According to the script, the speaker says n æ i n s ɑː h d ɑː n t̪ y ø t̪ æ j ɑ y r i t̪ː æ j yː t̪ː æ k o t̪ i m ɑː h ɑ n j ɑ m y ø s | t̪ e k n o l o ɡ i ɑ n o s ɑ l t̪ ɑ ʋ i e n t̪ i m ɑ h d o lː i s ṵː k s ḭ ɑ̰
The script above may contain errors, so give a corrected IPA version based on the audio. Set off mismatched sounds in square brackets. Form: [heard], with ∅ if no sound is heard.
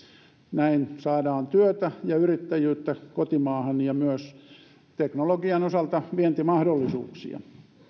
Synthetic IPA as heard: n æ i n s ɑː [∅] d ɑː n t̪ y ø t̪ æ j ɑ y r i t̪ː æ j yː t̪ː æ k o t̪ i m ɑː h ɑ n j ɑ m y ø s | t̪ e k n o l o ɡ i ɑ n o s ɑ l t̪ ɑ ʋ i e n t̪ i m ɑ h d o lː i s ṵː k s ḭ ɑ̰

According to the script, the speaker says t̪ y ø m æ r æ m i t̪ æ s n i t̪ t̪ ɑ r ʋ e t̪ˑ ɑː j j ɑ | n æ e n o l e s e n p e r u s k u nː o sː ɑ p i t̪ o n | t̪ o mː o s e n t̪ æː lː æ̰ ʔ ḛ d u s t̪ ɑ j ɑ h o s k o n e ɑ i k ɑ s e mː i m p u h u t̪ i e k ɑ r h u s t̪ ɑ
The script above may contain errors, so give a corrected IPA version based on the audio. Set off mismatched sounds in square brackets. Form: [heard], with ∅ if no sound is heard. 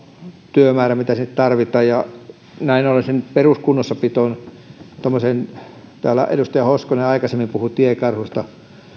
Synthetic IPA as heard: t̪ y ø m [æː] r æ m i t̪ æ s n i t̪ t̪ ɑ r ʋ [i] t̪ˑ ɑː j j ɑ | n æ [i] n o l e s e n p e r u s k u nː o sː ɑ p i t̪ o n | t̪ o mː o s e n t̪ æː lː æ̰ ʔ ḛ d u s t̪ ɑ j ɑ h o s k o n e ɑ i k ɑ s e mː i m p u h u t̪ i e k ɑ r h u s t̪ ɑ

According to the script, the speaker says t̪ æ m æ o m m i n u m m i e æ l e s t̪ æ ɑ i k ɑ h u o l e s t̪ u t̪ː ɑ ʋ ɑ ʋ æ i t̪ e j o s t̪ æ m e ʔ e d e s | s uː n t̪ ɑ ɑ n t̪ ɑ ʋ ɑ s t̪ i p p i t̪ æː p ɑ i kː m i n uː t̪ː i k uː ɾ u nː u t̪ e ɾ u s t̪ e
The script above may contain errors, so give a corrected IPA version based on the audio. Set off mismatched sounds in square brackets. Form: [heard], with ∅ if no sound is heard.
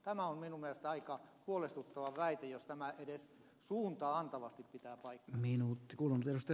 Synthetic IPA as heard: t̪ æ m æ o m m i n u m m i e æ l e s t̪ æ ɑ i k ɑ h u o l e s t̪ u t̪ː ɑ ʋ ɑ ʋ æ i t̪ e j o s t̪ æ m [æ] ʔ e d e s | s uː n t̪ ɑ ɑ n t̪ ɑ ʋ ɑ s t̪ i p p i t̪ æː p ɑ i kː m i n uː t̪ː i k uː [l] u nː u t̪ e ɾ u s t̪ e

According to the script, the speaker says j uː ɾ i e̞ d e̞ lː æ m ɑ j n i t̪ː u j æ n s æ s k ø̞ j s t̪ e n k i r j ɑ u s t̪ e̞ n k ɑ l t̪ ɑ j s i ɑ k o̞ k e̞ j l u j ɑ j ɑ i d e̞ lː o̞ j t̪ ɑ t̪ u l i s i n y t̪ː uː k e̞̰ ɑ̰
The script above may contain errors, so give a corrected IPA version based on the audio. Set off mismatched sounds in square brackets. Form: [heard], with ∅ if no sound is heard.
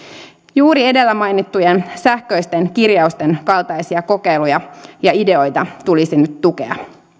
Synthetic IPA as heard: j uː ɾ i e̞ d e̞ lː æ m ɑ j n i t̪ː u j [e] n s æ [h] k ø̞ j s t̪ e n k i r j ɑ u s t̪ e̞ n k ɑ l t̪ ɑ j s i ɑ k o̞ k e̞ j l u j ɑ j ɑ i d e̞ [∅] o̞ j t̪ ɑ t̪ u l i s i n y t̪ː [u] k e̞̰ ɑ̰

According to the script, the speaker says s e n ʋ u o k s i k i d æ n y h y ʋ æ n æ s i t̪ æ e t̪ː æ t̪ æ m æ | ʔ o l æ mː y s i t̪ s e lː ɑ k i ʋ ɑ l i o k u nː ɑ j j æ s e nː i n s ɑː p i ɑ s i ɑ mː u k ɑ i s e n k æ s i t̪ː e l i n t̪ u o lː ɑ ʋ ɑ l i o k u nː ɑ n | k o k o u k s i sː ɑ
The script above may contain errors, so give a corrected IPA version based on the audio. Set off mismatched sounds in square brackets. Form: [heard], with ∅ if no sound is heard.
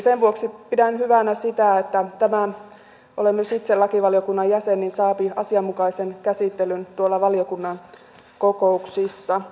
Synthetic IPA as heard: s e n ʋ u o k s i [p] i d æ n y h y ʋ æ n æ s i t̪ æ e t̪ː æ t̪ æ m æ | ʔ o l [e] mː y s i t̪ s e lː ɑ k i ʋ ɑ l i o k u nː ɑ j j æ s e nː i n s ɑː p i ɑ s i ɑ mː u k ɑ i s e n k æ s i t̪ː e l [y] n t̪ u o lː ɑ ʋ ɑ l i o k u nː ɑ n | k o k o u k s i sː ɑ

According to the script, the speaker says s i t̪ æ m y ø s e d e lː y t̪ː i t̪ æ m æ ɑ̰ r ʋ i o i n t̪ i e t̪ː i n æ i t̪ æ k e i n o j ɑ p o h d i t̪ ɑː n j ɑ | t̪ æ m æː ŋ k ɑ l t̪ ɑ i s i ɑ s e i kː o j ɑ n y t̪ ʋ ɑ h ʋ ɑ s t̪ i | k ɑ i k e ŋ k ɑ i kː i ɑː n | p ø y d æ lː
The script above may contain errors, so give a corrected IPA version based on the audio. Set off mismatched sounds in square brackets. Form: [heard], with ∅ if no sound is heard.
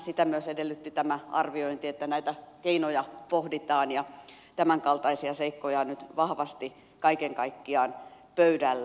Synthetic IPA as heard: s i t̪ æ m y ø s e d e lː y t̪ː i t̪ æ m æ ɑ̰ r ʋ i o i n t̪ i e t̪ː [æ] n æ i t̪ æ k e i n o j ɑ p o h d i t̪ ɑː n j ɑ | t̪ æ m [æ] ŋ k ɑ l t̪ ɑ i s i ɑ s e i kː o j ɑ n y t̪ ʋ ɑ h ʋ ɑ s t̪ i | k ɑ i k e ŋ k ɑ i kː i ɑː n | p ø y d æ lː

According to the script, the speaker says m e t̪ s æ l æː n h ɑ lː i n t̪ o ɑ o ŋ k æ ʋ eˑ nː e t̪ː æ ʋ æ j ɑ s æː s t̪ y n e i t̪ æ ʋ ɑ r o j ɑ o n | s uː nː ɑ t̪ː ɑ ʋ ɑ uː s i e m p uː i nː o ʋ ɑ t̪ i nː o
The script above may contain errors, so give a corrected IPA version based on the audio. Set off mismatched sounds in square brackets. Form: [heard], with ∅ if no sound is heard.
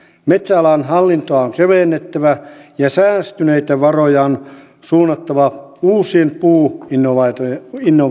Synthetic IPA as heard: m e t̪ s æ l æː n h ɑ lː i n t̪ o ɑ o ŋ k [e] ʋ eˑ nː e t̪ː æ ʋ æ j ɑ s æː s t̪ y n e i t̪ æ ʋ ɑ r o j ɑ o n | s uː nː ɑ t̪ː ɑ ʋ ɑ uː s i e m p uː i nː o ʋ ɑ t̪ i nː o

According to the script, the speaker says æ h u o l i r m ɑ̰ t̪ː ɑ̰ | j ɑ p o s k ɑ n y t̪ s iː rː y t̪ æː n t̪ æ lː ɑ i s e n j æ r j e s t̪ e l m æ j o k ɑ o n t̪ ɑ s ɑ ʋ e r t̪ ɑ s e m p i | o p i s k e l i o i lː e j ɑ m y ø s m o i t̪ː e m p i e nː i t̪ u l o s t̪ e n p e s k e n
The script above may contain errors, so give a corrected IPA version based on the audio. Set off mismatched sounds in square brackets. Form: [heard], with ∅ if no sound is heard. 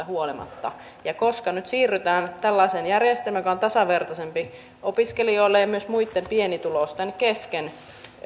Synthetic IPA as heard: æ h u o l i [∅] m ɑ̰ t̪ː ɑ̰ | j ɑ [k] o s k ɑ n y t̪ s iː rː y t̪ æː n t̪ æ lː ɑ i s e n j æ r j e s t̪ e l m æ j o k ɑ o n t̪ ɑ s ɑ ʋ e r t̪ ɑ s e m p i | o p i s k e l i o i lː e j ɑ m y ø s m [u] i t̪ː e m p i e [n] i t̪ u l o s t̪ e n [k] e s k e n

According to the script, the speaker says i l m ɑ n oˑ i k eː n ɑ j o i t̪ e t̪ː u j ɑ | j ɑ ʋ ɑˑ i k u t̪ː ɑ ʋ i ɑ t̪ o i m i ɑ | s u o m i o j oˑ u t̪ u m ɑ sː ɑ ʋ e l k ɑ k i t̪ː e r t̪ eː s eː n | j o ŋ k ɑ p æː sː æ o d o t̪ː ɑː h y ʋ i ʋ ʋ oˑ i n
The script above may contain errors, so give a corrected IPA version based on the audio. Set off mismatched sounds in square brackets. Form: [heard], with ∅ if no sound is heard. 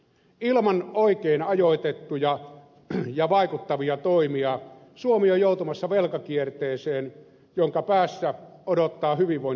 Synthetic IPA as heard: i l m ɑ n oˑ i k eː n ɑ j o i t̪ e t̪ː u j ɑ | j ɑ ʋ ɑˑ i k u t̪ː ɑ ʋ i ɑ t̪ o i m i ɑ | s u o m i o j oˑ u t̪ u m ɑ sː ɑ ʋ e l k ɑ k i [∅] e r t̪ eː s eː n | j o ŋ k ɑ p æː sː æ o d o t̪ː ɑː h y ʋ i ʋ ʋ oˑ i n

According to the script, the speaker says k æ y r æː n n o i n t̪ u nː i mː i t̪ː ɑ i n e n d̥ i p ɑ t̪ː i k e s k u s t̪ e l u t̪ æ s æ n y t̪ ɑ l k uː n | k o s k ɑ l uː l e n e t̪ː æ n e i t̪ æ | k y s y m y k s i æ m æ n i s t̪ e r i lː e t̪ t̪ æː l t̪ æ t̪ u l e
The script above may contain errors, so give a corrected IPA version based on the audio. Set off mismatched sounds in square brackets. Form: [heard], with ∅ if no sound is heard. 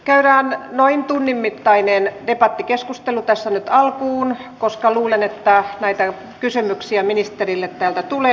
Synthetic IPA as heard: k æ y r æː n n o i n t̪ u nː i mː i t̪ː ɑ i n e n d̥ [e] p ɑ t̪ː i k e s k u s t̪ e l u t̪ æ [sː] æ n y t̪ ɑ l k uː n | k o s k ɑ l uː l e n e t̪ː æ n [æ] i t̪ æ | k y s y m y k s i æ m [i] n i s t̪ e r i lː e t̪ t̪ æː l t̪ æ t̪ u l e

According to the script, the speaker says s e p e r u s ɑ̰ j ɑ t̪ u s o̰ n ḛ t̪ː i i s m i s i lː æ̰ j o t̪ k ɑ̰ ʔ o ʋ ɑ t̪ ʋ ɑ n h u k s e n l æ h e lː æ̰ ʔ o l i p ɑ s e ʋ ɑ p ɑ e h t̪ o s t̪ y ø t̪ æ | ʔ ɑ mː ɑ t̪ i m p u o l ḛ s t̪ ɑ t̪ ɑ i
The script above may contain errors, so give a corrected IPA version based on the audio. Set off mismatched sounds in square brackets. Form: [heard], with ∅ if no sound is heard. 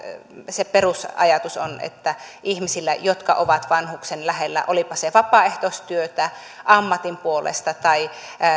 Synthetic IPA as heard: s e p e r u s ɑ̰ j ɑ t̪ u s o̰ n ḛ t̪ː [æ] i [h] m i s i lː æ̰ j o t̪ k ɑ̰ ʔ o ʋ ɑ t̪ ʋ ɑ n h u k s e n l æ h e lː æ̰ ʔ o l i p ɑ s e ʋ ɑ p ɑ e h t̪ o s t̪ y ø t̪ æ | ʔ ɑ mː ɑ t̪ i m p u o l ḛ s t̪ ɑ t̪ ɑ i

